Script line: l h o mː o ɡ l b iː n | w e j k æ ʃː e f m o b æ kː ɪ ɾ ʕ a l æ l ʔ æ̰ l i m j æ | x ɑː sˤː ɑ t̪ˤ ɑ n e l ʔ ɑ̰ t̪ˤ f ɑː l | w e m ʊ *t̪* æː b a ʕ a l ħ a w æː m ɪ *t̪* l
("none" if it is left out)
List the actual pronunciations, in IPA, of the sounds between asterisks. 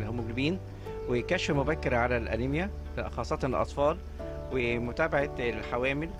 t̪, none

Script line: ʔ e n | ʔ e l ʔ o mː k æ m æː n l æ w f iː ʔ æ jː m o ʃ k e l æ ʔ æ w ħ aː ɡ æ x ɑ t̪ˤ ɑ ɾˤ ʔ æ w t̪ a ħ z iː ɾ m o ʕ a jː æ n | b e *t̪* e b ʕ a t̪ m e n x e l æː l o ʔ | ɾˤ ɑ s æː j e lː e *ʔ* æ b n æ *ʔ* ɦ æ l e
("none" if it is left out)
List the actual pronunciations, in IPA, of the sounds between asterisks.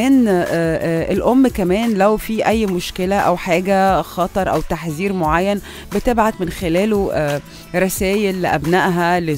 t̪, ʔ, ʔ

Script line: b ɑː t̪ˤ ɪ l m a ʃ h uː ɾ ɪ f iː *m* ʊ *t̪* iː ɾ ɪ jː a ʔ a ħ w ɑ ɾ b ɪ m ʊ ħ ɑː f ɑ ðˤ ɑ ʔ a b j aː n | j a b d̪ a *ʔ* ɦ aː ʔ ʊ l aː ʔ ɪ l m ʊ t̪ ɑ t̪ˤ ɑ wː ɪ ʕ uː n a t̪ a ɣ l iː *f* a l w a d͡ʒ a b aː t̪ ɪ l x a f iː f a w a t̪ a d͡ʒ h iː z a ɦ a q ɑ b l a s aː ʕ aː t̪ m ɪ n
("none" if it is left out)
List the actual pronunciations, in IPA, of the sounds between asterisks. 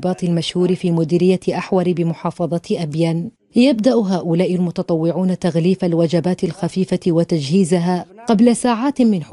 m, d̪, ʔ, f

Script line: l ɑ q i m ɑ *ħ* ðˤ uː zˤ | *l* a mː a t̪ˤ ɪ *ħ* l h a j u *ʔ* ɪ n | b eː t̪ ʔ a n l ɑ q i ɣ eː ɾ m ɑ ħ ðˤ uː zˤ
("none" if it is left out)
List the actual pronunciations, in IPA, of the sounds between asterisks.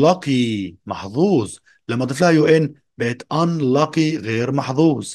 ħ, l, f, ʔ

